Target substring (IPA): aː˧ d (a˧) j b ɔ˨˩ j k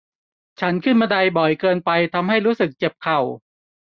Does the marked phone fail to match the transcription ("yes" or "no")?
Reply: no